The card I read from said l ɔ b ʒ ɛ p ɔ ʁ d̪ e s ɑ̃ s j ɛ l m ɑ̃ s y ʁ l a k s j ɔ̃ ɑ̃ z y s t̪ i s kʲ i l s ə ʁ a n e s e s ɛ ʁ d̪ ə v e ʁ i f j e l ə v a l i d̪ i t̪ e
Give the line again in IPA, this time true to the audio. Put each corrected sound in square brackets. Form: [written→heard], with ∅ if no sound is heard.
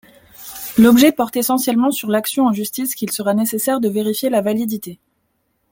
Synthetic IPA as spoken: l ɔ b ʒ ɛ p ɔ ʁ [d̪→t̪] e s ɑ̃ s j ɛ l m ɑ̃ s y ʁ l a k s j ɔ̃ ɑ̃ [z→ʒ] y s t̪ i s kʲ i l s ə ʁ a n e s e s ɛ ʁ d̪ ə v e ʁ i f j e l [ə→a] v a l i d̪ i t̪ e